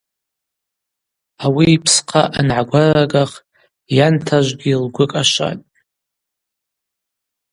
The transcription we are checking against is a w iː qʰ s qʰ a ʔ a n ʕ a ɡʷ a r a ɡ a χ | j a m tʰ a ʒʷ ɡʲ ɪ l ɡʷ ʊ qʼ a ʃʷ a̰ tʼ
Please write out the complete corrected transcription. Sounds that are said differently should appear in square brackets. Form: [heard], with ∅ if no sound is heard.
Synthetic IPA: a w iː [pʰ] s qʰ a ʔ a n ʕ a ɡʷ a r a ɡ a χ | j a [n] tʰ a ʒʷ ɡʲ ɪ l ɡʷ ʊ [kʼ] a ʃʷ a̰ tʼ